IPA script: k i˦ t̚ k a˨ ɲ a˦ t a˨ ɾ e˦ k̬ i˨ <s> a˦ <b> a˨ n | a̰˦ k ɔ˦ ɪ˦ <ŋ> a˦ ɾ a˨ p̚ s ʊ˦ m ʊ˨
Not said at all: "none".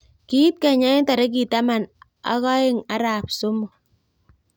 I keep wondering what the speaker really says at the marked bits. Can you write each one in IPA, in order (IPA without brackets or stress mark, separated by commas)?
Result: t, m, ŋ